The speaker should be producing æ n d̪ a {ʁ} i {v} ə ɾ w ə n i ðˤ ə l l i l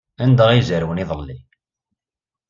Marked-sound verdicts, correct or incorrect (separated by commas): correct, incorrect